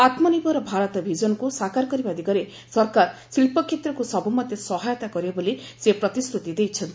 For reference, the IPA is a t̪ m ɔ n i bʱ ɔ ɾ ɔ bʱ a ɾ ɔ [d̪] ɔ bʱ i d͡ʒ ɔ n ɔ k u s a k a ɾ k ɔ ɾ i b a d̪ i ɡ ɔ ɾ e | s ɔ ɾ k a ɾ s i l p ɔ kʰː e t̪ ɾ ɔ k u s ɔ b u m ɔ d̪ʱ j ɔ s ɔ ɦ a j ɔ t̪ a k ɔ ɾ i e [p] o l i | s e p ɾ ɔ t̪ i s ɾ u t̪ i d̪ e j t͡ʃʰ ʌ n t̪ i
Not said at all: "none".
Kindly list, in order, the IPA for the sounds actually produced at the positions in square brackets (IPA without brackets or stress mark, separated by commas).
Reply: t̪, b